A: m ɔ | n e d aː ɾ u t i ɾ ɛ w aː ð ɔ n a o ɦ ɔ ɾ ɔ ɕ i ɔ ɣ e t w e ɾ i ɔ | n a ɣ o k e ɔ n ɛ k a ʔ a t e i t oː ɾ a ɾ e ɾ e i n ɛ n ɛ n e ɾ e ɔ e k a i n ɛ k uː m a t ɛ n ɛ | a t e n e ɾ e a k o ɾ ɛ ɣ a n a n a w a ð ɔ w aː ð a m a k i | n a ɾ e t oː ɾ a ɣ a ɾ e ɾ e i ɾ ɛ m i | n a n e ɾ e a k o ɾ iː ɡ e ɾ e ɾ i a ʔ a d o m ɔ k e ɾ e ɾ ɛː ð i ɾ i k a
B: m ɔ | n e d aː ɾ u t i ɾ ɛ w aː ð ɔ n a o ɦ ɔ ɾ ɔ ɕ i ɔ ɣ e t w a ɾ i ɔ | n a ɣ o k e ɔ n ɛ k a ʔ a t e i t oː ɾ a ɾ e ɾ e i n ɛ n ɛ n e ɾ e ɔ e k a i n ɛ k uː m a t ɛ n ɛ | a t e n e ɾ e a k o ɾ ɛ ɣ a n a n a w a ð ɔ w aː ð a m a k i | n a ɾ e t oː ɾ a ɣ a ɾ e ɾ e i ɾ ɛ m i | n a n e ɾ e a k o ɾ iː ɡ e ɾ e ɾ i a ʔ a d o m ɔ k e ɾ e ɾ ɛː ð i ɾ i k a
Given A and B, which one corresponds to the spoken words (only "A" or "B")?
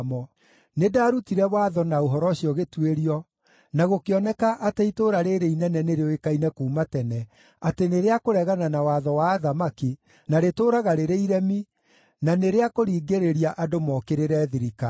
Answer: A